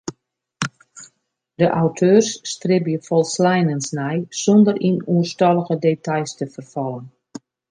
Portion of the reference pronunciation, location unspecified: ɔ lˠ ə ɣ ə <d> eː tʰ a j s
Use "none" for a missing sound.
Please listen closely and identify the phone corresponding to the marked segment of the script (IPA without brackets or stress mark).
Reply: d